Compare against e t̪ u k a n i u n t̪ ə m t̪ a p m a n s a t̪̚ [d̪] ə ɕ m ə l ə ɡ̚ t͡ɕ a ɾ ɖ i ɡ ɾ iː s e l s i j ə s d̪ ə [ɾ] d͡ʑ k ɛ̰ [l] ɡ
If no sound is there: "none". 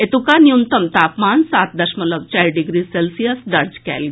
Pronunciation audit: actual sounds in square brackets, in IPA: d̪, ɾ, l

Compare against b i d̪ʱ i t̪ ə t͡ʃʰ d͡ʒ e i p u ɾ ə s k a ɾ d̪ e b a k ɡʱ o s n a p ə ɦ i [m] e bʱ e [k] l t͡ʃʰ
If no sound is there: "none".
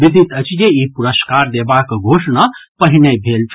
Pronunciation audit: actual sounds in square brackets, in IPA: n, none

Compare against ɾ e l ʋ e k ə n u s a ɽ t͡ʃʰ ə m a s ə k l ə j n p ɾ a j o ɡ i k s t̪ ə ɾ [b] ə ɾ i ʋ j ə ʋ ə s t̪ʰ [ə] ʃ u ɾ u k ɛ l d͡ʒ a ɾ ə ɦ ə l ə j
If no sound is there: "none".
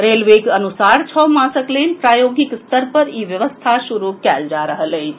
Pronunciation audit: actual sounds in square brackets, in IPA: p, a

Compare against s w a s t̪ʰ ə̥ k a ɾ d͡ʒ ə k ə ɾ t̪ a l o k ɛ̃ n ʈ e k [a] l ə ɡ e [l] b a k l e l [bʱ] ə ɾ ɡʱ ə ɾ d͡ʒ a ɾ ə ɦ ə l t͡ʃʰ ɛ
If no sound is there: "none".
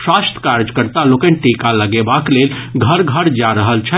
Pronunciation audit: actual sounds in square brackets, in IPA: a, none, ɡʱ

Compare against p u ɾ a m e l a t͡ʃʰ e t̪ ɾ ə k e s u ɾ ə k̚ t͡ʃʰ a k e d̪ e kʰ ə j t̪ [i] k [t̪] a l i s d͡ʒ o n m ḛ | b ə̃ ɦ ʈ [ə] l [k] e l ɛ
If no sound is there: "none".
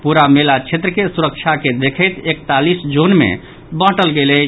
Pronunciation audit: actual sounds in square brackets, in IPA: e, t̪, ə, ɡ

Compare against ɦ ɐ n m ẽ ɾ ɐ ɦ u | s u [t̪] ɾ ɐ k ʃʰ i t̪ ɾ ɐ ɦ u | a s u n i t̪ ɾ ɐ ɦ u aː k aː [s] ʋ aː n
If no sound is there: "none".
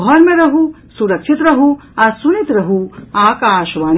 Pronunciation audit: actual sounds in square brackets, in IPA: none, ʃ

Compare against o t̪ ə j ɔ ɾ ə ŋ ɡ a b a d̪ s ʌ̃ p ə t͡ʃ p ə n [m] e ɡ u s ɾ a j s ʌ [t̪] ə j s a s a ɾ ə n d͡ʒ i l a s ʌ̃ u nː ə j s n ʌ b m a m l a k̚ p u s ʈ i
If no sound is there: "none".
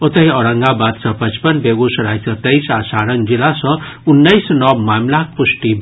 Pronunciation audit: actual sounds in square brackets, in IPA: b, t̪

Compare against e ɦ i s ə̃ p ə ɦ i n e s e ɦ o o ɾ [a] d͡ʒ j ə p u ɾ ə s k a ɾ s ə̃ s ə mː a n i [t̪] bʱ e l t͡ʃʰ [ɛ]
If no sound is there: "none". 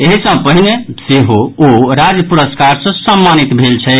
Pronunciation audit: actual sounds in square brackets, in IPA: a, t̪, ɛ

